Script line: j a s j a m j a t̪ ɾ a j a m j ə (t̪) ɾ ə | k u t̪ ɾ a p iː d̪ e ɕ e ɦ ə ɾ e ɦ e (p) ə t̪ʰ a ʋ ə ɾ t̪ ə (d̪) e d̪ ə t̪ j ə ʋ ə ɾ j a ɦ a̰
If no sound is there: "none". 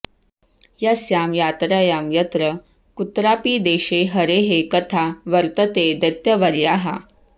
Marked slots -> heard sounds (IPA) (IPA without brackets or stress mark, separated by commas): t̪, k, t̪